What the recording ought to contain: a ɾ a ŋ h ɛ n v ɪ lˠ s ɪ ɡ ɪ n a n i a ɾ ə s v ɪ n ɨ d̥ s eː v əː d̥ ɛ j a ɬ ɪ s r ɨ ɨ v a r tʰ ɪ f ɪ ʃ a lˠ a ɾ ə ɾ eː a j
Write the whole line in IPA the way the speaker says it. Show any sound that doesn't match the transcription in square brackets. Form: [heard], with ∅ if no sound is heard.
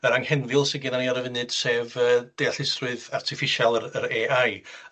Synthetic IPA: [ə] ɾ a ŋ h ɛ n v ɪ lˠ s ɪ ɡ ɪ n a n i a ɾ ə [∅] v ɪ n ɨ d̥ s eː v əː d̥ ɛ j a ɬ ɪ s r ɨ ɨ [ð] a r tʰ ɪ f ɪ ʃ a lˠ [ə] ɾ ə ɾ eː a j